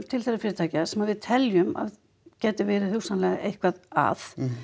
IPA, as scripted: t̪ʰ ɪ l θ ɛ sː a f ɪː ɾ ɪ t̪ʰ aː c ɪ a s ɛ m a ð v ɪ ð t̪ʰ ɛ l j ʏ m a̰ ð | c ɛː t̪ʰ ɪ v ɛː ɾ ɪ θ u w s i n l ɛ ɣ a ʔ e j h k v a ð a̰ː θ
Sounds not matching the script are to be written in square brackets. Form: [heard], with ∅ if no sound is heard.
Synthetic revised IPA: t̪ʰ ɪ l θ ɛ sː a f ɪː ɾ ɪ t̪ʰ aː c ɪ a s ɛ m a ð v ɪ ð t̪ʰ ɛ l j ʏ m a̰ ð | c ɛː [t̪] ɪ v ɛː ɾ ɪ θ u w s [a] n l ɛ ɣ a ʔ e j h k v a ð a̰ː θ